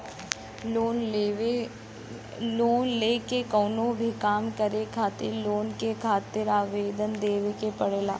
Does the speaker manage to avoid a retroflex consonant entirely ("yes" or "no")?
no